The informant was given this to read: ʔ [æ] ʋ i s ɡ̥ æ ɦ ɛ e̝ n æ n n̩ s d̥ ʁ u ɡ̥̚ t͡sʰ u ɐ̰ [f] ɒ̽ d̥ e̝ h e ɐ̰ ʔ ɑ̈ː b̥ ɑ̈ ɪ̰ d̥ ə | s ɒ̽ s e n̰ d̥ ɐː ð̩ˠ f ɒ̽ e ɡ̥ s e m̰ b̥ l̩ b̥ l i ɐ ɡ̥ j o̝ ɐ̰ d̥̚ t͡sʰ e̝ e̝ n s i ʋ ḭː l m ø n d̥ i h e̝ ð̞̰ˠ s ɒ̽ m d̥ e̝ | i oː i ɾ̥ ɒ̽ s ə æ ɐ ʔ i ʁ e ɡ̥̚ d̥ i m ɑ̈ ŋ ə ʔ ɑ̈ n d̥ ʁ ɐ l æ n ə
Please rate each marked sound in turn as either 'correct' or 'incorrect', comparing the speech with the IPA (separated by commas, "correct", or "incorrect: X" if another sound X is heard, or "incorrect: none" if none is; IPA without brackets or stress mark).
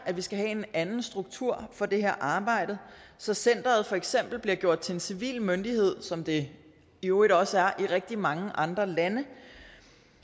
correct, correct